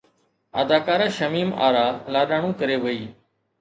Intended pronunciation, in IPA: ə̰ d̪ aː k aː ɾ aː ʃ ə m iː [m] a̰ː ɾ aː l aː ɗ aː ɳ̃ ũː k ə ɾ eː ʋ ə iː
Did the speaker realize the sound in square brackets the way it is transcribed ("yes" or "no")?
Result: yes